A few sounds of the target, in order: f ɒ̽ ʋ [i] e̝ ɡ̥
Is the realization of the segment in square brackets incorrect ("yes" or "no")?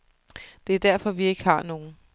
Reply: no